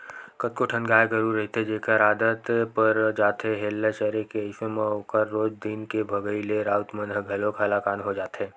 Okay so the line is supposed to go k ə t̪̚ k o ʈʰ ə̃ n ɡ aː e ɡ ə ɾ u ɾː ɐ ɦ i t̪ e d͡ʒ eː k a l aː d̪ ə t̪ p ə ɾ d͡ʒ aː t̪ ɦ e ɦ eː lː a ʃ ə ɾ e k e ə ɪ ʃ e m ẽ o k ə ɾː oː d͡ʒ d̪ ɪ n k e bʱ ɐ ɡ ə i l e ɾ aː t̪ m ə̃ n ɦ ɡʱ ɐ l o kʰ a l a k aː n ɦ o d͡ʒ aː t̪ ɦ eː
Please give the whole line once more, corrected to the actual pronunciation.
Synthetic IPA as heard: k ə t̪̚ k o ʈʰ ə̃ n ɡ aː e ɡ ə ɾ u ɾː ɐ ɦ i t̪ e d͡ʒ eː k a ɾ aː d̪ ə t̪ p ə ɾ d͡ʒ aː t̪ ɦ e ɦ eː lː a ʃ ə ɾ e k e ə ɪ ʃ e m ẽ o k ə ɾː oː d͡ʒ d̪ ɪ n k e bʱ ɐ ɡ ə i l e ɾ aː t̪ m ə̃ n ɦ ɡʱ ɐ l o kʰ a l a k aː n ɦ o d͡ʒ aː t̪ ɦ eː